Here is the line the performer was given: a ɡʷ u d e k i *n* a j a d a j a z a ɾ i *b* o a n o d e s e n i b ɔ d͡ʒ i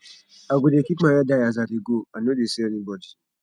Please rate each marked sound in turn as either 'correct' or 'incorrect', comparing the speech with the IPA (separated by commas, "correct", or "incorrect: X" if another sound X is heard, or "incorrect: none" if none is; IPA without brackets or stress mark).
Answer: incorrect: m, incorrect: ɡ